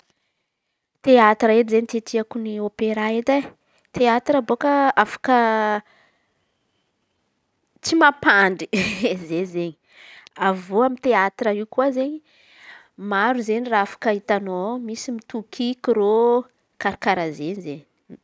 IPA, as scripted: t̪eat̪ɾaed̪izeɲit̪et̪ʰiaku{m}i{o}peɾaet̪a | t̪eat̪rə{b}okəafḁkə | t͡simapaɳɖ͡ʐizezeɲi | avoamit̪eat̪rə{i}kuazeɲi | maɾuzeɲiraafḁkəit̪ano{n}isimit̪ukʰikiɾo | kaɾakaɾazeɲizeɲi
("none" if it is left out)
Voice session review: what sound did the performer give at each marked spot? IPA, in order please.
n, o, b, i, m

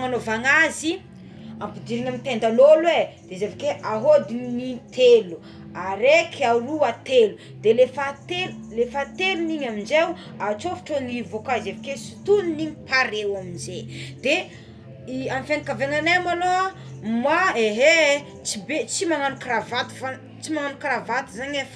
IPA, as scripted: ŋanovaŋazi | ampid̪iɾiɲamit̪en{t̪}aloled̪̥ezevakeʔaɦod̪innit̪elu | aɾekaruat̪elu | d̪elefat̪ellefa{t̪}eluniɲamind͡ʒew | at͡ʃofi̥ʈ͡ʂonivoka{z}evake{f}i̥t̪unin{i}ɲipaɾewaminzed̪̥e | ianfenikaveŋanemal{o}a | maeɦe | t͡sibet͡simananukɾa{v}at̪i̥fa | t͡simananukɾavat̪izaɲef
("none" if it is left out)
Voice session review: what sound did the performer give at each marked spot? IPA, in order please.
d̪, t̪, z, s, i, o, v

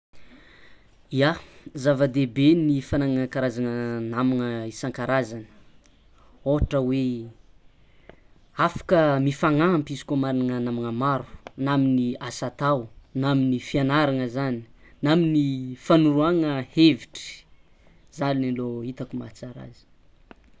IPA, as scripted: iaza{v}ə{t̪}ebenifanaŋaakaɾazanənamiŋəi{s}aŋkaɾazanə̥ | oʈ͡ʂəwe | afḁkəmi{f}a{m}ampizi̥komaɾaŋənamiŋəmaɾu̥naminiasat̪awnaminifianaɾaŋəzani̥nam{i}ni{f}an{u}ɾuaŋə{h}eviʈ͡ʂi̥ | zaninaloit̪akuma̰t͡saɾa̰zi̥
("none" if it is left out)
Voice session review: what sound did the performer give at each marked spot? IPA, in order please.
v, d̪, s, f, ŋ, i, f, u, h

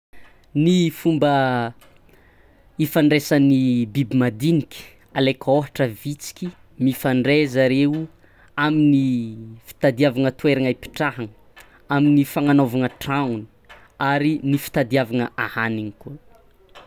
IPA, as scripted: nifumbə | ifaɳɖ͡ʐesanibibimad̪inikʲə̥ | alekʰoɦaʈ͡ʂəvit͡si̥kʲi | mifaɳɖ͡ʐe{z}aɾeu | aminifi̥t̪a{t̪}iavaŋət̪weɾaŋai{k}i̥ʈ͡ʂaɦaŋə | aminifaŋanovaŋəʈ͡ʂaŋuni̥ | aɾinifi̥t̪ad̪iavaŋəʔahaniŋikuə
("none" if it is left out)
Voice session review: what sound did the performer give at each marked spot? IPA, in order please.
z, d̪, p

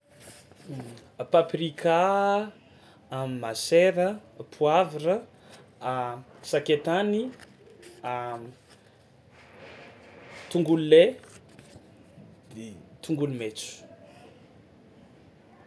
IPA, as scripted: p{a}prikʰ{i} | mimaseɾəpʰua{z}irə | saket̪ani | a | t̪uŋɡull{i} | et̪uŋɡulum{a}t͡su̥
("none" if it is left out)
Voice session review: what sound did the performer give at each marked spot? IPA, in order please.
a, a, v, e, e

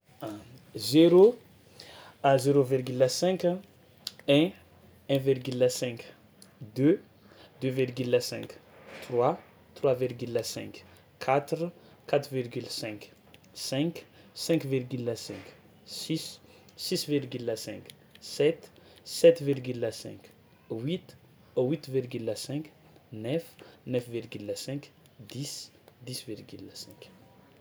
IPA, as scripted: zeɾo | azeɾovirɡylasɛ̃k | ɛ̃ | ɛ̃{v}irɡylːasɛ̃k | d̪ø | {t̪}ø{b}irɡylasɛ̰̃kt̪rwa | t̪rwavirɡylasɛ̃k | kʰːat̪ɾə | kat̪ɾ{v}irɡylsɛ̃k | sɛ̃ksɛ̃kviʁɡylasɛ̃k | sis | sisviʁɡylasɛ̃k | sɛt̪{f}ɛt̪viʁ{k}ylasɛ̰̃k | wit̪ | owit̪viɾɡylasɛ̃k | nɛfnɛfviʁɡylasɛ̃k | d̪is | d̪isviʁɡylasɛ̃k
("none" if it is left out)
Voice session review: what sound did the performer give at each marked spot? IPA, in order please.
v, d̪, v, v, s, ɡ

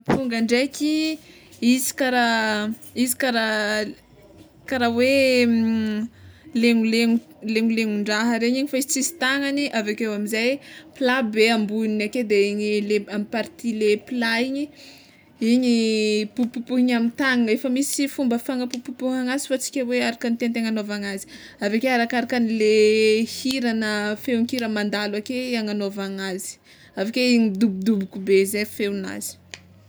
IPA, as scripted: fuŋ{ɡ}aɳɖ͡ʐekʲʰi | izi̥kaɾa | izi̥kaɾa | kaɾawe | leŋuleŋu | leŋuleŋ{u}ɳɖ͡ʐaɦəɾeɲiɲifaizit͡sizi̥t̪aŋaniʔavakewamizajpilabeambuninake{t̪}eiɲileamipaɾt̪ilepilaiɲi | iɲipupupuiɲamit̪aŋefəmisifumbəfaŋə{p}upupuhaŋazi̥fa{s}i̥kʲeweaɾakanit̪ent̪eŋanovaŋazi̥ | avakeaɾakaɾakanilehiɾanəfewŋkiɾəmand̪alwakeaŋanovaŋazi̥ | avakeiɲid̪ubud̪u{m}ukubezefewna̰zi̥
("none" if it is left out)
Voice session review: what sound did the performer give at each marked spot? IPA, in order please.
ɡ, u, d̪, p, t͡s, b

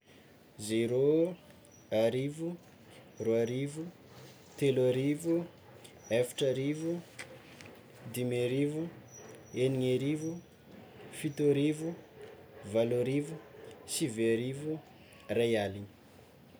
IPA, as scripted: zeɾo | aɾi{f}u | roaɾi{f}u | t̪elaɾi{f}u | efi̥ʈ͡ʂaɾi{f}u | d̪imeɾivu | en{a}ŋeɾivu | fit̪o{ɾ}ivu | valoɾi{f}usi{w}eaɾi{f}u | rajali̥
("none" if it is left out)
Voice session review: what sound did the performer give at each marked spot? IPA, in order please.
v, v, v, v, i, ɾ, v, v, v

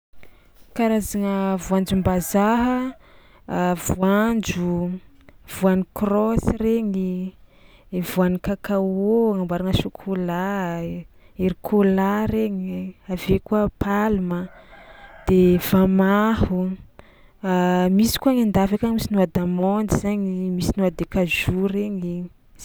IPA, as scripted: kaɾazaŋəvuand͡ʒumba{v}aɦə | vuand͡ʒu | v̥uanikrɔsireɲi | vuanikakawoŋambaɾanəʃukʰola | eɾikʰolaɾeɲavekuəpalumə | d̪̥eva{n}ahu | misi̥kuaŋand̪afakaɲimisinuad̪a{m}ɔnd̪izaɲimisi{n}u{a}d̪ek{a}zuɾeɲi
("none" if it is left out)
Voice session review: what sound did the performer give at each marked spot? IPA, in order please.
z, m, m, n, a, a

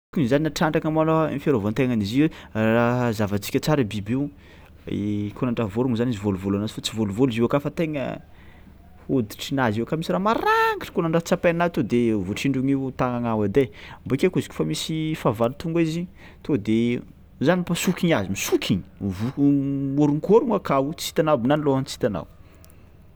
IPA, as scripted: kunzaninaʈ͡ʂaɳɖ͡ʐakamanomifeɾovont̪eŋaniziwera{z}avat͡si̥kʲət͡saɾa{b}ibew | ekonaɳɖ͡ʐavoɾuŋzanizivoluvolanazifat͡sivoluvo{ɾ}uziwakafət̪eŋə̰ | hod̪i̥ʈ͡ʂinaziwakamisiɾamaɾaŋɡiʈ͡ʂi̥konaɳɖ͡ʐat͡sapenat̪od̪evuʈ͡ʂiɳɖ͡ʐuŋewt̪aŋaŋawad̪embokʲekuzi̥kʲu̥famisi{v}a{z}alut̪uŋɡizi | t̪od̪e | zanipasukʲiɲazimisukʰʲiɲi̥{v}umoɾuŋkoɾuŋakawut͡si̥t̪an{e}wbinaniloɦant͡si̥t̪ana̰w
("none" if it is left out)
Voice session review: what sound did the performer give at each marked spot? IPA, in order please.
z, b, l, f, v, v, a

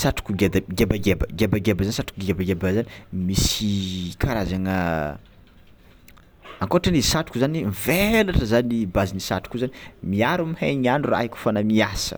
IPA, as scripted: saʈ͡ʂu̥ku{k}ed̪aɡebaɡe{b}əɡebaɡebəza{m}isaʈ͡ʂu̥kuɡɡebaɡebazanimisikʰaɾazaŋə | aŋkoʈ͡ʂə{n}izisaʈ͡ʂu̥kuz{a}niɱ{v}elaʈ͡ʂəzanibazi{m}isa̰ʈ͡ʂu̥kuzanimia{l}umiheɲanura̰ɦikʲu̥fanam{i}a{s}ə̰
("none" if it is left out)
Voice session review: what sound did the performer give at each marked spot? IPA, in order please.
ɡ, b, n, n, a, v, n, ɾ, i, s

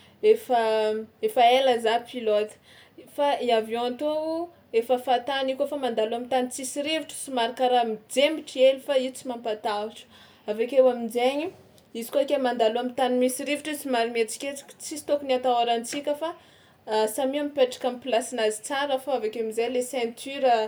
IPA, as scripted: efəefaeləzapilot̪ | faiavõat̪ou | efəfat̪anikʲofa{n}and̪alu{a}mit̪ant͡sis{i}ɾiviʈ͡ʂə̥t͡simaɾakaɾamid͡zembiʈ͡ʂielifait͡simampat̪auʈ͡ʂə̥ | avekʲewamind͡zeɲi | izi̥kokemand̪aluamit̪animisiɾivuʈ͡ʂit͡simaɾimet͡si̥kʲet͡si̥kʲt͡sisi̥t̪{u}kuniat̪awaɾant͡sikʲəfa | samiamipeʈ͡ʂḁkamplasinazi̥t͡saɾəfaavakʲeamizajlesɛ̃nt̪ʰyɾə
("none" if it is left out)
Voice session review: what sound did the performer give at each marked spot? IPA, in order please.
m, a, i, o

